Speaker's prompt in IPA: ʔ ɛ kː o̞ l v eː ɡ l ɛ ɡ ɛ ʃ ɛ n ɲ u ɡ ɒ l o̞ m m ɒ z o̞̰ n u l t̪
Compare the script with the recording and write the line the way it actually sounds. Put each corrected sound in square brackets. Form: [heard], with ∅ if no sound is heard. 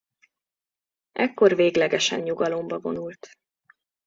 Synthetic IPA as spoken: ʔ ɛ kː o̞ [r] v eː ɡ l ɛ ɡ ɛ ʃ ɛ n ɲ u ɡ ɒ l o̞ m [b] ɒ [v] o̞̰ n u l t̪